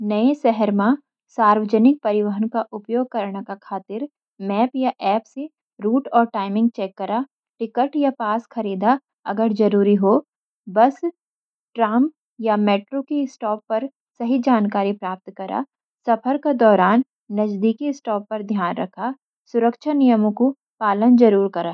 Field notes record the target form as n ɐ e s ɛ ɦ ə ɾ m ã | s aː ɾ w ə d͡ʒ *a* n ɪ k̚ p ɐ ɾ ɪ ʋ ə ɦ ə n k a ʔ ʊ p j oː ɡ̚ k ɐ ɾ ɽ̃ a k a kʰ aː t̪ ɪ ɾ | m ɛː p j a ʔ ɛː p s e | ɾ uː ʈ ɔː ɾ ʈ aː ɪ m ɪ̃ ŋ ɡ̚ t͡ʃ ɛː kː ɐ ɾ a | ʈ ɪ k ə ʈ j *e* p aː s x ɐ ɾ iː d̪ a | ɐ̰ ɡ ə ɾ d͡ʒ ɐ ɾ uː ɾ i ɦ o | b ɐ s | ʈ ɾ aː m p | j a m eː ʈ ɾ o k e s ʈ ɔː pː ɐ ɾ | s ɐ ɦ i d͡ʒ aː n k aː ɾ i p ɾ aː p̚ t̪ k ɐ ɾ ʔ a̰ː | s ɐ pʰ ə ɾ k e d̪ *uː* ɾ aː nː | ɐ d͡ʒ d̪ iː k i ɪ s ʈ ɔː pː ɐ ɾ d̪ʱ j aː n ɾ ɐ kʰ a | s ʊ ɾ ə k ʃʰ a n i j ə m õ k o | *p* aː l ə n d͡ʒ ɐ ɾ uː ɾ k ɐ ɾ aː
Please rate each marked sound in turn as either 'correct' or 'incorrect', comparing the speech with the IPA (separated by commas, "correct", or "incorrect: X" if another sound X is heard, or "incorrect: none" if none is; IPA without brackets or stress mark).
incorrect: ə, incorrect: a, incorrect: ɔː, correct